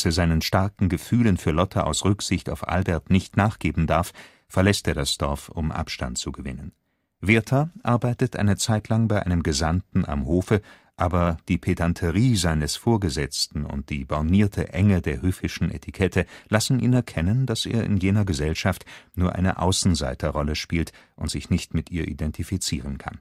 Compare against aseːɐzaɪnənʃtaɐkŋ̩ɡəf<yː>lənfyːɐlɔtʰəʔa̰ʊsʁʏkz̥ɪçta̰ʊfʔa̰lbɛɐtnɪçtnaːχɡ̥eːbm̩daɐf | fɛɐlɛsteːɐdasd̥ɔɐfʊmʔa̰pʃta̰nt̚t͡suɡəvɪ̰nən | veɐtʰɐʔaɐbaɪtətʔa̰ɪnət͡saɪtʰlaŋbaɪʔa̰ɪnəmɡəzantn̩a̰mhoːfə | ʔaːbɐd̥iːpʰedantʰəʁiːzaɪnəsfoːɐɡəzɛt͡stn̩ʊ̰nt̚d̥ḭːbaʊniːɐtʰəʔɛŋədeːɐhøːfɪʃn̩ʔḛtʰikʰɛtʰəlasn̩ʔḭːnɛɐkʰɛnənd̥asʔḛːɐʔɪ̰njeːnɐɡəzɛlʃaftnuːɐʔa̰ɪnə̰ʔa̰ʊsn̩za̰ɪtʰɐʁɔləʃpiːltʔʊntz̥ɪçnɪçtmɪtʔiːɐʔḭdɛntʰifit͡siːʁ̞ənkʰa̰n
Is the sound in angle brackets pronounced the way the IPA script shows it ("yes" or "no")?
yes